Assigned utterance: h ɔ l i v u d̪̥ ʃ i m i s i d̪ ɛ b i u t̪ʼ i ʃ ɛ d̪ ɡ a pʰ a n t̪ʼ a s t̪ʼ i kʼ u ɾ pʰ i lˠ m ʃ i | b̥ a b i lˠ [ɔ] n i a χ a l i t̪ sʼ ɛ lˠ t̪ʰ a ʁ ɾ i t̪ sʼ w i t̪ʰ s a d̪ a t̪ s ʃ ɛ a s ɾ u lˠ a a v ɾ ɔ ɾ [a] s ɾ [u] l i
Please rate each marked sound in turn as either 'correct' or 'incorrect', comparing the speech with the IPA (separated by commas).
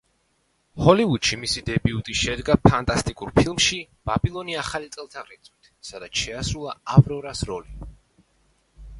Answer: correct, correct, incorrect